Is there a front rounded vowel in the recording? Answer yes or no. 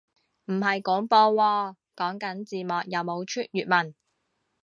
yes